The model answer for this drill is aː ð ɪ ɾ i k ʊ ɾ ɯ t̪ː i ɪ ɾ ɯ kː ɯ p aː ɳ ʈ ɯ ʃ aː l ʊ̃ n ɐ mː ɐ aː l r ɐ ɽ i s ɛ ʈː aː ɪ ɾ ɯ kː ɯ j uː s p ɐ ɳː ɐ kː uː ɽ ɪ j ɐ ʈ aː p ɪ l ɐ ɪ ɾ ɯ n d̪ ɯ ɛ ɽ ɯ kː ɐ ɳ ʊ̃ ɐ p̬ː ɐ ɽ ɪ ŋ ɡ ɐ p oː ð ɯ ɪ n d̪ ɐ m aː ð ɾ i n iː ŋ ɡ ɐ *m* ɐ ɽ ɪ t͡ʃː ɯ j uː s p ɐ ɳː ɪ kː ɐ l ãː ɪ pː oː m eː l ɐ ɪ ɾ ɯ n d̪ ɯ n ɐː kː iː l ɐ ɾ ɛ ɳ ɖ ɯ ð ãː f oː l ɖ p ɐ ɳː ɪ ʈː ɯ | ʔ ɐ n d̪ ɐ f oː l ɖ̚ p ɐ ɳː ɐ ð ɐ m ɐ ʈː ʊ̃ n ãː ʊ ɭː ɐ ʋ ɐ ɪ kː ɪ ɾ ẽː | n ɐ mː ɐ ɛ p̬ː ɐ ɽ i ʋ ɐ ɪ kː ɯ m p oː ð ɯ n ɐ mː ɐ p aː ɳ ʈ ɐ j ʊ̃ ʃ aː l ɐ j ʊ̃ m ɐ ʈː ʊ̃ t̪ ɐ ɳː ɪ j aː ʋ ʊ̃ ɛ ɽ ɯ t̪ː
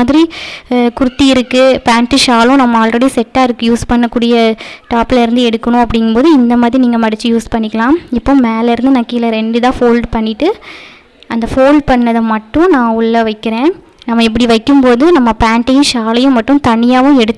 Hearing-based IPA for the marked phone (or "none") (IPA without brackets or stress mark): m